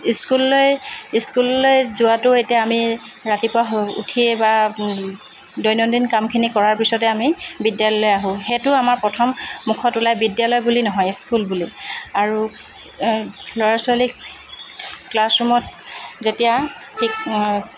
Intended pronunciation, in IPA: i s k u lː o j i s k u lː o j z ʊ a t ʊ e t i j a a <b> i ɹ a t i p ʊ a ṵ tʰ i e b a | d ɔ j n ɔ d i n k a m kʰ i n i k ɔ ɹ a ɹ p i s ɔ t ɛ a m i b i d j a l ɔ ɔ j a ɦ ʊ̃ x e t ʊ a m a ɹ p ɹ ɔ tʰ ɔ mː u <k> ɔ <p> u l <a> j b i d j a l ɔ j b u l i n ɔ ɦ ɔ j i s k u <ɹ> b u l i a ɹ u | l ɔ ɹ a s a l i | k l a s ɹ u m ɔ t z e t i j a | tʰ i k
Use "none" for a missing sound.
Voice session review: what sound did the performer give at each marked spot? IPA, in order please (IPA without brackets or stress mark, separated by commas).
m, kʰ, t, a, l